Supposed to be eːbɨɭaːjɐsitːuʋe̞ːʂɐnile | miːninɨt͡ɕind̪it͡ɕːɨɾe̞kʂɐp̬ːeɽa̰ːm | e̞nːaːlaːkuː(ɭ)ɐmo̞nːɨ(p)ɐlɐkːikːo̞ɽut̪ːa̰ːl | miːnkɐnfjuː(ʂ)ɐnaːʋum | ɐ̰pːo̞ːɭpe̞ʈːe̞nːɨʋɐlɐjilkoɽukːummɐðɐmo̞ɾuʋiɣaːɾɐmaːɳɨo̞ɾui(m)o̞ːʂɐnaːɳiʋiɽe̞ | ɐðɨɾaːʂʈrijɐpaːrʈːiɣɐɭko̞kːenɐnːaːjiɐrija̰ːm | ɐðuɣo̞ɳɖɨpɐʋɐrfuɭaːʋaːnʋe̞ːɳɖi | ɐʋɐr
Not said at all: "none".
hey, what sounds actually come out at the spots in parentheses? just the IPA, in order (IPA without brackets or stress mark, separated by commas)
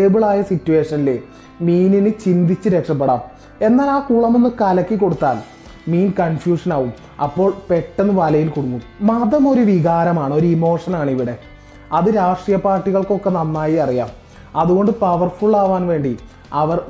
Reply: ɭ, k, ʂ, m